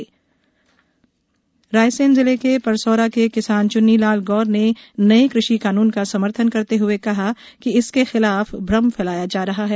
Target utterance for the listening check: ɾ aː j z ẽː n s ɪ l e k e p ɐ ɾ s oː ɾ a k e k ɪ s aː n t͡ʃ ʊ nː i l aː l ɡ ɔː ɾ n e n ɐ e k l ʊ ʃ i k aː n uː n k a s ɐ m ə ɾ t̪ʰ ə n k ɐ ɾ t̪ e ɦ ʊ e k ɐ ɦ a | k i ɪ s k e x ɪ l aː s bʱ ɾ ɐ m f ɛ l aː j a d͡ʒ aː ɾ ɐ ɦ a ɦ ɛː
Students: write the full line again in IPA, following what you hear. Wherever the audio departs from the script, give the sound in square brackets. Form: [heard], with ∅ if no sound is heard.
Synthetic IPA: ɾ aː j [s] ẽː n [z] ɪ l e k e p ɐ ɾ s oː ɾ a k e k ɪ s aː n t͡ʃ ʊ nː i l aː l ɡ ɔː ɾ n e n ɐ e k [ɾ] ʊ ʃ i k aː n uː n k a s ɐ m ə ɾ t̪ʰ ə n k ɐ ɾ t̪ e ɦ ʊ e k ɐ ɦ a | k i ɪ s k e x ɪ l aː [f] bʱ ɾ ɐ m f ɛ l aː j a d͡ʒ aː ɾ ɐ ɦ a ɦ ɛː